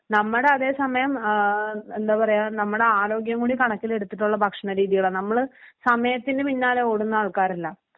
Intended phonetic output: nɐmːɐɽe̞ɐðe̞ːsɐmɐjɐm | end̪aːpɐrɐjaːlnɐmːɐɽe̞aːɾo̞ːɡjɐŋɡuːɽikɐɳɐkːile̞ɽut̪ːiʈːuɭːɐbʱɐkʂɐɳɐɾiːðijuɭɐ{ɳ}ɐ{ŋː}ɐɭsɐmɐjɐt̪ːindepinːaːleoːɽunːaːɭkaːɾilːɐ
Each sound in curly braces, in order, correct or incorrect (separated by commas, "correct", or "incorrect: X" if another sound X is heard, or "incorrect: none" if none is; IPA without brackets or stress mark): incorrect: n, incorrect: mː